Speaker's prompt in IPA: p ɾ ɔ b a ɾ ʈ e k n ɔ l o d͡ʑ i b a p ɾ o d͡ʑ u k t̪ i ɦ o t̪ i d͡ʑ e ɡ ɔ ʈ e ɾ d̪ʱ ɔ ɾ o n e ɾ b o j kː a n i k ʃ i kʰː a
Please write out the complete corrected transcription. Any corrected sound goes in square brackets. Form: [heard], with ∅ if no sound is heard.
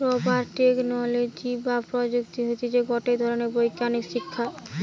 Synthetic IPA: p ɾ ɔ b a ɾ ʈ e k n ɔ l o d͡ʑ i b a p ɾ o d͡ʑ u k t̪ i ɦ o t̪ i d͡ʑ e ɡ ɔ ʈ e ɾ d̪ʱ ɔ ɾ o n e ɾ b o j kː a n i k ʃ i kʰː a

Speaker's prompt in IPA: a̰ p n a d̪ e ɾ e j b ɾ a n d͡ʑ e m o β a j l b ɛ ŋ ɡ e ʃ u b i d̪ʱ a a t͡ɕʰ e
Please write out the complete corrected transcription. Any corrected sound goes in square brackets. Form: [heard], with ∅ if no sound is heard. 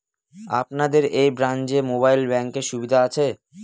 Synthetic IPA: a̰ p n a d̪ e ɾ e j b ɾ a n d͡ʑ e m o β a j l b ɛ ŋ [k] e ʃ u b i d̪ʱ a a t͡ɕʰ e

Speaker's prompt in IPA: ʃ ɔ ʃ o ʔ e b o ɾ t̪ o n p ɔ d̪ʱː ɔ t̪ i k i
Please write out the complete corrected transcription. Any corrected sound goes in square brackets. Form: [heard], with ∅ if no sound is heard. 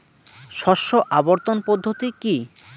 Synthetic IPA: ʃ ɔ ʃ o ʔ [a] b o ɾ t̪ o n p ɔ d̪ʱː [o] t̪ i k i

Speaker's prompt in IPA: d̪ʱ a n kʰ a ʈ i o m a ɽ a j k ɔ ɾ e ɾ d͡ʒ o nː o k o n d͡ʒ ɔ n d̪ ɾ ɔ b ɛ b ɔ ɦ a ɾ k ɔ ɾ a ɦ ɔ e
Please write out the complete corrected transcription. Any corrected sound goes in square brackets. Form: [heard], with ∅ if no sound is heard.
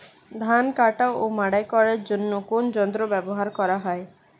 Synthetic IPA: d̪ʱ a n [k] a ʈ [a] o m a ɽ a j k ɔ ɾ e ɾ d͡ʒ o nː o k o n d͡ʒ ɔ n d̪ ɾ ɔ b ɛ b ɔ ɦ a ɾ k ɔ ɾ a ɦ ɔ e

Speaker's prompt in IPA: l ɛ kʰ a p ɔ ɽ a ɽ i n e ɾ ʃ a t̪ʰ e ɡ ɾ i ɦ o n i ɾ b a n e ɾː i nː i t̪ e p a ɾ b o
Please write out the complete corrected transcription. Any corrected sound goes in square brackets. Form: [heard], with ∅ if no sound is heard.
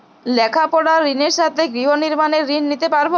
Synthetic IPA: l ɛ kʰ a p ɔ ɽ a [ɾ] i n e ɾ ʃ a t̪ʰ e ɡ ɾ i ɦ o n i ɾ [m] a n e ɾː i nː i t̪ e p a ɾ b o

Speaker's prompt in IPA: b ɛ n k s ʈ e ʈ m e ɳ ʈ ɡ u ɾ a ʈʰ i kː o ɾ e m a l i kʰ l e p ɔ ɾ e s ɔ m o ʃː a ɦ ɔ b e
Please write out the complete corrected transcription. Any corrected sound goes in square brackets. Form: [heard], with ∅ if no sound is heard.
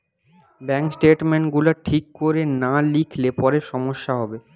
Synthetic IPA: b ɛ [ŋ] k s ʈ e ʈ m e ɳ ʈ ɡ u [l] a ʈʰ i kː o ɾ e [n] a l i kʰ l e p ɔ ɾ e [ʃ] ɔ m o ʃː a ɦ ɔ b e

